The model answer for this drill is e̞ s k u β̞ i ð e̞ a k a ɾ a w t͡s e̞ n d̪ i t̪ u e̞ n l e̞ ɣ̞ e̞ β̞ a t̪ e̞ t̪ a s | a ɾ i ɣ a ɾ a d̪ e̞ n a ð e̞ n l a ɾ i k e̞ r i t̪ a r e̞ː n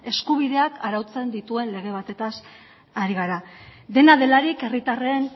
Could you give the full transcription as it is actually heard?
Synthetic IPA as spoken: e̞ s k u β̞ i ð e̞ a k a ɾ a w t͡s e̞ n d̪ i t̪ u e̞ n l e̞ ɣ̞ e̞ β̞ a t̪ e̞ t̪ a s | a ɾ i ɣ a ɾ a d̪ e̞ n a ð e̞ l a ɾ i k e̞ r i t̪ a r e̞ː n